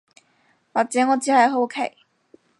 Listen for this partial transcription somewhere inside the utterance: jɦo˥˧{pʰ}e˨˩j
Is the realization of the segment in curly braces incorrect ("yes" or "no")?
yes